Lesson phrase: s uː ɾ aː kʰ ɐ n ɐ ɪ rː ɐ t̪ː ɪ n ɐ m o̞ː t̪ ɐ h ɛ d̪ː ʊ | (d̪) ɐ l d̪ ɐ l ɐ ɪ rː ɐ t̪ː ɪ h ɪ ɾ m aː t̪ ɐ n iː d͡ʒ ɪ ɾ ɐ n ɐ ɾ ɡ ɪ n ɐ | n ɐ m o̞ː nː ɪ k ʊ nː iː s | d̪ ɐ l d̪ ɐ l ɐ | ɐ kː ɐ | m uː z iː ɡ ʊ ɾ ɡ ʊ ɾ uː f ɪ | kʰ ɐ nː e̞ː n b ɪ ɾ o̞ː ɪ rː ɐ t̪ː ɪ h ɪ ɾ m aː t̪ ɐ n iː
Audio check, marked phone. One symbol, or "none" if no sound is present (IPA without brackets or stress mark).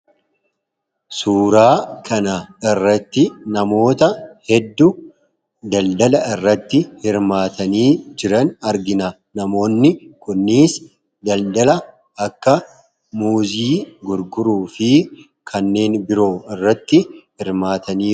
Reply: d̪